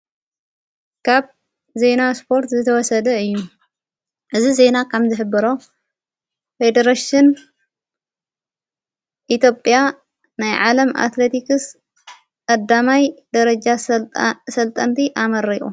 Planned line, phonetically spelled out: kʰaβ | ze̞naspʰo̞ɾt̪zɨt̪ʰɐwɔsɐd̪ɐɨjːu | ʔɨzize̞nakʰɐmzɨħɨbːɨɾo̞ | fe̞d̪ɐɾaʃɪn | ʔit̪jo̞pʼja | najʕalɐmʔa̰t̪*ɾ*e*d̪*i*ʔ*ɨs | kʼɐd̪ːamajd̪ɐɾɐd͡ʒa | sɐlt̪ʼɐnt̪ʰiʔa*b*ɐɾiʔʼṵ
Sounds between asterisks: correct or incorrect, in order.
incorrect: l, incorrect: t̪, incorrect: k, incorrect: m

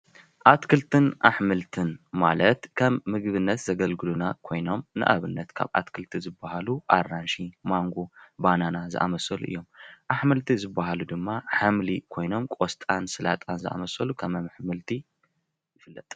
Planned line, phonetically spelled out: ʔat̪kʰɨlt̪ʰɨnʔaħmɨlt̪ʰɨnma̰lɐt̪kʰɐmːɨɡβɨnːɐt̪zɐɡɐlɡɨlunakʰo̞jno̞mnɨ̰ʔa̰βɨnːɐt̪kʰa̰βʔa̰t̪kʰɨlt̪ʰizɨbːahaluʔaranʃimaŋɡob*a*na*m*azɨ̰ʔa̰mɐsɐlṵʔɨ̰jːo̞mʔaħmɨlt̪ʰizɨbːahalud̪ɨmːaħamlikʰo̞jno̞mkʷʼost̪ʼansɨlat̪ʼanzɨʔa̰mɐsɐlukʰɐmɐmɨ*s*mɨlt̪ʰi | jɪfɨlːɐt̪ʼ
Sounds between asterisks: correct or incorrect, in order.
correct, incorrect: n, incorrect: ħ

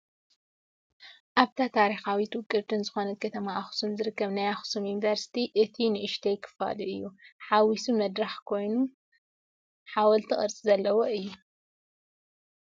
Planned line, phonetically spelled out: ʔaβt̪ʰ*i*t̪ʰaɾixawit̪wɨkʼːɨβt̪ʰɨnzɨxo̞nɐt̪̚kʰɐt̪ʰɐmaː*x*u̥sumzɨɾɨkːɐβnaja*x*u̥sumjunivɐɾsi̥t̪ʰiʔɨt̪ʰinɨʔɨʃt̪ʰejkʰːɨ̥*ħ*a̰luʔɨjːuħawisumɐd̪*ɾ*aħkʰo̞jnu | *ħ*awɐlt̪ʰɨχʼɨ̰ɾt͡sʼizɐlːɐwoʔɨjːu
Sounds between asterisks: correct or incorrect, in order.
incorrect: a, correct, correct, incorrect: f, correct, correct

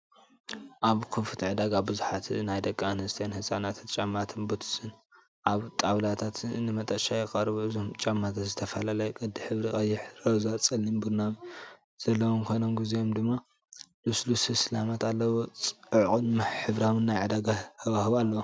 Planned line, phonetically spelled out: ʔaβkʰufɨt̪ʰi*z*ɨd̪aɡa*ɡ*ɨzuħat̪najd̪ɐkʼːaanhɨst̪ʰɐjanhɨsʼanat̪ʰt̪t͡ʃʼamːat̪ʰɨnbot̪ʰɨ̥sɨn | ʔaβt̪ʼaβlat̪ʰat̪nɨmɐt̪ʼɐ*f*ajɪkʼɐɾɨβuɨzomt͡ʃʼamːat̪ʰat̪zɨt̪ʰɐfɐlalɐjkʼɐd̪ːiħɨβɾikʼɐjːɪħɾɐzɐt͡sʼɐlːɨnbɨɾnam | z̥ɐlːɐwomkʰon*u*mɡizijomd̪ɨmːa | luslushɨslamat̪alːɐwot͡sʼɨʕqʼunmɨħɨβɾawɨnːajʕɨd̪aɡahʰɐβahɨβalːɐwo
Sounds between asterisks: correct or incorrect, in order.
incorrect: ʕ, incorrect: b, incorrect: ʃ, incorrect: o

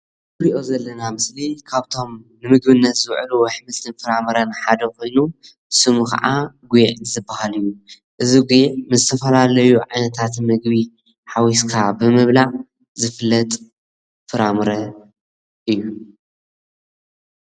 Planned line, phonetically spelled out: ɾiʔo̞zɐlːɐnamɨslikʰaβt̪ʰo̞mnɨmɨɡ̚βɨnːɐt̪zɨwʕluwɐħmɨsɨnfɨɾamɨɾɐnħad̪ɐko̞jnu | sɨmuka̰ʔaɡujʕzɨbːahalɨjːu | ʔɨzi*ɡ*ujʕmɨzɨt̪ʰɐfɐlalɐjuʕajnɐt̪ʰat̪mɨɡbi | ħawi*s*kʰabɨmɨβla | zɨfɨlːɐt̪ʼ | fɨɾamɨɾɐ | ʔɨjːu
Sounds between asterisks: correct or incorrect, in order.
correct, correct

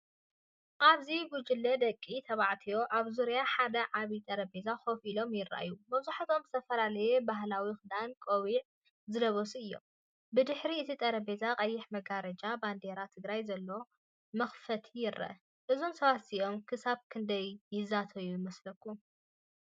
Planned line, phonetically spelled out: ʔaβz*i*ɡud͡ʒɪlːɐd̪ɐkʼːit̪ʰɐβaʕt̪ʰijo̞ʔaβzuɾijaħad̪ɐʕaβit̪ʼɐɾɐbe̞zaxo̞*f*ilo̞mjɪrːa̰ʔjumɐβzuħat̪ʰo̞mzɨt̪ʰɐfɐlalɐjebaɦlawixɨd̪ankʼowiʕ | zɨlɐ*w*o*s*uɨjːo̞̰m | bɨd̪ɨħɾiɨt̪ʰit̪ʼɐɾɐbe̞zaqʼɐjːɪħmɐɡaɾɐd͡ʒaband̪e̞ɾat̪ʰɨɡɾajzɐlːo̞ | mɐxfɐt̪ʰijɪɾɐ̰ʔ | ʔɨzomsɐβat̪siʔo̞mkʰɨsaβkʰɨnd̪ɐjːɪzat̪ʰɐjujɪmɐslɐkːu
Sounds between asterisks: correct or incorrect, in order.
correct, correct, incorrect: β, correct

